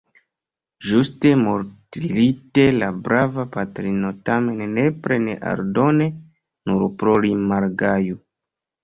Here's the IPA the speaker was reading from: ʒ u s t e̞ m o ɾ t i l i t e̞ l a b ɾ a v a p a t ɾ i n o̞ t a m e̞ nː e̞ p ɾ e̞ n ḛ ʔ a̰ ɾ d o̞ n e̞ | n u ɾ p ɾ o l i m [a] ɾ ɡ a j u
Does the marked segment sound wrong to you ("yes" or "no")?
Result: no